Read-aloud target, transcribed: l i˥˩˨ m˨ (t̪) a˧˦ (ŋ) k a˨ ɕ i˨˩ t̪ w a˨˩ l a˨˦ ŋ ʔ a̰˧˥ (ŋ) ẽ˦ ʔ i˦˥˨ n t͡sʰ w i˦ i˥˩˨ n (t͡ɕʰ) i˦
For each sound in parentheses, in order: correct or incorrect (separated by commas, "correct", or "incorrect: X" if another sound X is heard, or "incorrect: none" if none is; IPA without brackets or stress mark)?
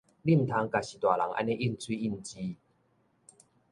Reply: incorrect: t̪ʰ, correct, incorrect: n, incorrect: t͡ɕ